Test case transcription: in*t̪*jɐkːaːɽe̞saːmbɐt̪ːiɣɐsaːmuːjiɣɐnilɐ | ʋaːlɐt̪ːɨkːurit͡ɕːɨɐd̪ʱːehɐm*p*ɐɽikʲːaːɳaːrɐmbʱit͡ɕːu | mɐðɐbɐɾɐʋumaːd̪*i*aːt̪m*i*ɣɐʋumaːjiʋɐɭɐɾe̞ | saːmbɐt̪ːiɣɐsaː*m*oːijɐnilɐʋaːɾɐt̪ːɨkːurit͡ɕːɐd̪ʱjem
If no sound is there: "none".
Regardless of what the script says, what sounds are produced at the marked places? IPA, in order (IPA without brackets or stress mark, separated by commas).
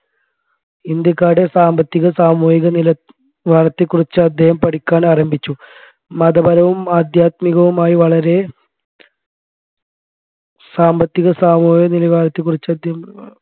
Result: d̪, p, j, i, m